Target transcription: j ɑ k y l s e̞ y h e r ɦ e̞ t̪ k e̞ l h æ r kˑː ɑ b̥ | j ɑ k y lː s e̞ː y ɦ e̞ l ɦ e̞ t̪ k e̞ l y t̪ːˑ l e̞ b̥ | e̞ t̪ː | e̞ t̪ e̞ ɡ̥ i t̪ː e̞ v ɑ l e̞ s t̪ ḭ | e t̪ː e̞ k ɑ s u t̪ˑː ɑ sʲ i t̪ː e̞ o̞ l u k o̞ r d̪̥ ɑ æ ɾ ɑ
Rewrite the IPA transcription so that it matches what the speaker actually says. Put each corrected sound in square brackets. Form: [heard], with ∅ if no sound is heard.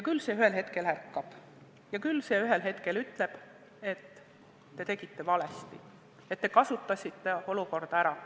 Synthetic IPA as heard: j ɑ k y l s e̞ y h e [l] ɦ e̞ t̪ k e̞ l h æ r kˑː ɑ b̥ | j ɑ k y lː s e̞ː y ɦ e̞ l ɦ e̞ t̪ k e̞ l y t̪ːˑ l e̞ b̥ | e̞ t̪ː | e̞ t̪ e̞ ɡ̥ i t̪ː e̞ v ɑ l e̞ s t̪ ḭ | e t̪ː e̞ k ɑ s u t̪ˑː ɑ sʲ i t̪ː e̞ o̞ l u k o̞ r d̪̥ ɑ æ ɾ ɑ